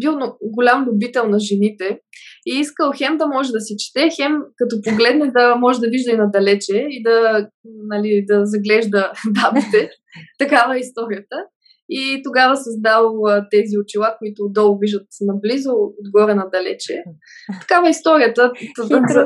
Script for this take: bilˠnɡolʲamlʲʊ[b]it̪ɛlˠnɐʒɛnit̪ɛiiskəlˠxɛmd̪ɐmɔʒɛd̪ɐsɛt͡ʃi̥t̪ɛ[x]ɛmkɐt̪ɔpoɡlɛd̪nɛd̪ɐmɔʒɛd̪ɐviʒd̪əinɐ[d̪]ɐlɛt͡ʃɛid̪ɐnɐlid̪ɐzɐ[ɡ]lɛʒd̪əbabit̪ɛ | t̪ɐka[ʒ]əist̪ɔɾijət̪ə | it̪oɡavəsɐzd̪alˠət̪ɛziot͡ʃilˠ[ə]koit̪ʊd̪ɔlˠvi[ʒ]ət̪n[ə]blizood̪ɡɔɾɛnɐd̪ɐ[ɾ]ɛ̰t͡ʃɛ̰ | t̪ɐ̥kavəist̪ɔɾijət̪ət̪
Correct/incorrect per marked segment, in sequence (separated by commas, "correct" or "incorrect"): correct, correct, correct, correct, incorrect, incorrect, correct, incorrect, incorrect